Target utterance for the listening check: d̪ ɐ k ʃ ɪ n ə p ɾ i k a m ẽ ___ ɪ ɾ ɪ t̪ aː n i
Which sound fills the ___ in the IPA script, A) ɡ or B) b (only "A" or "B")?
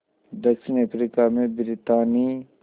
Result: B